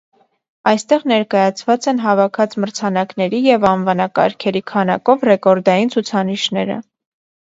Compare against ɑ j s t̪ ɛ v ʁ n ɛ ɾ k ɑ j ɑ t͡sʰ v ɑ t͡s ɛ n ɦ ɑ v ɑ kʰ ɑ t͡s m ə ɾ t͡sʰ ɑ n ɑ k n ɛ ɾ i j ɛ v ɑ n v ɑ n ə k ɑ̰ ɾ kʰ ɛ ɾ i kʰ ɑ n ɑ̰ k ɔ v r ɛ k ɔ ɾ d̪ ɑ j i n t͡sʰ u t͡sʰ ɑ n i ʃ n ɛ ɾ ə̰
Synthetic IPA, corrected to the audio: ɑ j s t̪ ɛ ʁ n ɛ ɾ k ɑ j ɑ t͡sʰ v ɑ t͡s ɛ n ɦ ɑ v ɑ kʰ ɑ t͡s m ə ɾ t͡sʰ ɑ n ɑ k n ɛ ɾ i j ɛ v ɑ n v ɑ n ɑ k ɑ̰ ɾ kʰ ɛ ɾ i kʰ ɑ n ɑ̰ k ɔ v r ɛ k ɔ ɾ d̪ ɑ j i n t͡sʰ u t͡sʰ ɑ n i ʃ n ɛ ɾ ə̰